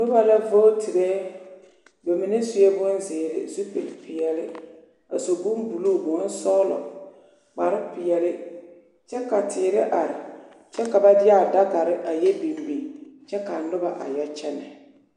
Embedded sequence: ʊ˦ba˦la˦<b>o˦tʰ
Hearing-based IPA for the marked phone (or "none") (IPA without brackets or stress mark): v